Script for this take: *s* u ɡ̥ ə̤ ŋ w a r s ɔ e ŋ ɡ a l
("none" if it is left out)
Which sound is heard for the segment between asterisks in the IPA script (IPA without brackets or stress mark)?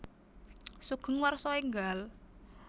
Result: s